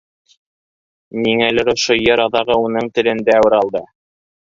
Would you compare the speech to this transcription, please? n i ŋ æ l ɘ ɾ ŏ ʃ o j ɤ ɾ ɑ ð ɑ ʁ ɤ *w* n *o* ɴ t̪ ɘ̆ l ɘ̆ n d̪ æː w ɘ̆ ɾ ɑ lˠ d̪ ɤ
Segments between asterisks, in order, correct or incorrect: incorrect: u, incorrect: ɤ

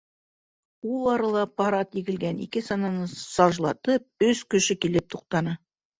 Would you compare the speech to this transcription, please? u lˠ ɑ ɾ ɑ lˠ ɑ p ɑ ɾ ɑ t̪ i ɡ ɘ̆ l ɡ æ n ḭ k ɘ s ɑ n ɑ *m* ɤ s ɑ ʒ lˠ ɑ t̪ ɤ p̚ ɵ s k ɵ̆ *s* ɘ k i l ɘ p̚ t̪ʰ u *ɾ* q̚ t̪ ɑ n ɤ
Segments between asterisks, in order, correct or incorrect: incorrect: n, incorrect: ʃ, incorrect: none

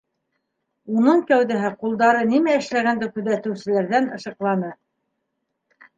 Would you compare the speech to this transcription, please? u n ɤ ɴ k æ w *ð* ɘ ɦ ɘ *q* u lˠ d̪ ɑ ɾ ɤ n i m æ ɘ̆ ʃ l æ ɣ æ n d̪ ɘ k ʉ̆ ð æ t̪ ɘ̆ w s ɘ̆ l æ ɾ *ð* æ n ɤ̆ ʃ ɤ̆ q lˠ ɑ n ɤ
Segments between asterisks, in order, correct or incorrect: correct, correct, correct

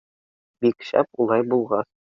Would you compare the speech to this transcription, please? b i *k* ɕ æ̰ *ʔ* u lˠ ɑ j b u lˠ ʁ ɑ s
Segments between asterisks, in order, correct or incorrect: correct, incorrect: p

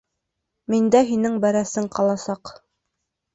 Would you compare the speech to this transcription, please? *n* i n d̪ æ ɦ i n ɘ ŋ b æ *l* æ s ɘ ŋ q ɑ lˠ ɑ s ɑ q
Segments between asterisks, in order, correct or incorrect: incorrect: m, incorrect: ɾ

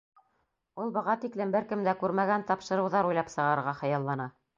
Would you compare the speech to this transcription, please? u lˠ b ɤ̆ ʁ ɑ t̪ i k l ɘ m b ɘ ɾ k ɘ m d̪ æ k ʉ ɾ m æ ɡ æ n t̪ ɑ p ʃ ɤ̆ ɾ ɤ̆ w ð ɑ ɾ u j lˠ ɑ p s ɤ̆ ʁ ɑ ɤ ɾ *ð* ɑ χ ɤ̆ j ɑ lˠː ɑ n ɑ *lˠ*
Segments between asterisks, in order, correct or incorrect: incorrect: ʁ, incorrect: none

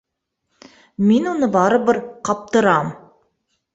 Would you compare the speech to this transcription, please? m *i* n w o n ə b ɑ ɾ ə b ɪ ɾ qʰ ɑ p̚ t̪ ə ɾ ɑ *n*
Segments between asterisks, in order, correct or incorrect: incorrect: e, incorrect: m

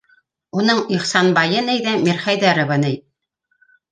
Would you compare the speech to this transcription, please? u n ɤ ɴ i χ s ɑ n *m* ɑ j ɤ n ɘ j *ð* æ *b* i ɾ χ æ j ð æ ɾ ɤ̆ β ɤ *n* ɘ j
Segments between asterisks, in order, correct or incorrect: incorrect: b, correct, incorrect: m, correct

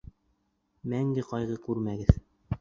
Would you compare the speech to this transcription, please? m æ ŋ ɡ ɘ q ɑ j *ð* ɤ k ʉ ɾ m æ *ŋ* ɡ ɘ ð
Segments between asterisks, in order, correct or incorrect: incorrect: ʁ, incorrect: none

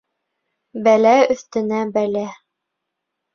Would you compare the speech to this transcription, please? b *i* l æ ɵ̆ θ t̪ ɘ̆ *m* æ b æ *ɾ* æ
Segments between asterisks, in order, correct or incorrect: incorrect: æ, incorrect: n, incorrect: l

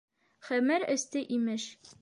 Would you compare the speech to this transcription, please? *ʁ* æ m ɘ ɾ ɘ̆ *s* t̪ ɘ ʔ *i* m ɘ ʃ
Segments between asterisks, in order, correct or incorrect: incorrect: χ, correct, correct

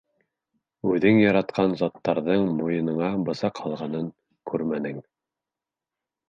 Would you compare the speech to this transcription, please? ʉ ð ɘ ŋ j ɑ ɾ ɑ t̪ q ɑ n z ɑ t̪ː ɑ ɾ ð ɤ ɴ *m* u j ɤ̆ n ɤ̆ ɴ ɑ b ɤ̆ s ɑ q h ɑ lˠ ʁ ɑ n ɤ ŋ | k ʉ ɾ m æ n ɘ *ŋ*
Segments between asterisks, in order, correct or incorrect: correct, correct

